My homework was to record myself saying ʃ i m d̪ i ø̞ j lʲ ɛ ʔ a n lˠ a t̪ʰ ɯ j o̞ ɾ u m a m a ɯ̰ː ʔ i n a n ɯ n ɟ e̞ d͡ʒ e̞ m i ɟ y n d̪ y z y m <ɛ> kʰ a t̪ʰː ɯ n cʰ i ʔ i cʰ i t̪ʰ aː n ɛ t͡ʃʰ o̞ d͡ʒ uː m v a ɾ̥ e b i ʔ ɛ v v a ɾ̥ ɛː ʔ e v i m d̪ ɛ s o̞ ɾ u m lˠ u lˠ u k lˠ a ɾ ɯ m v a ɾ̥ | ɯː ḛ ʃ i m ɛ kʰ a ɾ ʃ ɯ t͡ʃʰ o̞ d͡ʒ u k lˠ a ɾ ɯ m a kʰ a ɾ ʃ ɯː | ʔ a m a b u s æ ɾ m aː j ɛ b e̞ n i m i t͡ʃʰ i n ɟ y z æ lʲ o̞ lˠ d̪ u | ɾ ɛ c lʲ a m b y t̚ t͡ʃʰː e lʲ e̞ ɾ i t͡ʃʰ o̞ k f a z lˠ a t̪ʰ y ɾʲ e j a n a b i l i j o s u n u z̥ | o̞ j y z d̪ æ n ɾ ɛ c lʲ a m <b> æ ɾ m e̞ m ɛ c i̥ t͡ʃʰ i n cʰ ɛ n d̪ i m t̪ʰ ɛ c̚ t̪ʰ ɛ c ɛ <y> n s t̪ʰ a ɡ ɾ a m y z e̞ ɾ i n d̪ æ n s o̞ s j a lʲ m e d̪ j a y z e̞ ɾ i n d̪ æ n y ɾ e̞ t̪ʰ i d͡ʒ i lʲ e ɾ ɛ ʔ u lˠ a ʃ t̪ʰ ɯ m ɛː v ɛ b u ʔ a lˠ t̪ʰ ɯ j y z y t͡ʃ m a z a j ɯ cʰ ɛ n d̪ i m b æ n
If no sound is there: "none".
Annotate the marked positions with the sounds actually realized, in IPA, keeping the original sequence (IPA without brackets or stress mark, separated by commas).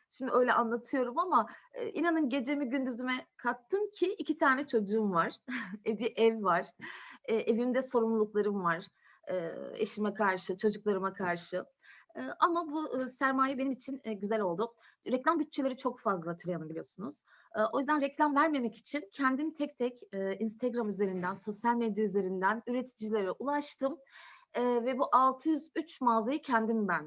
ɛ, v, i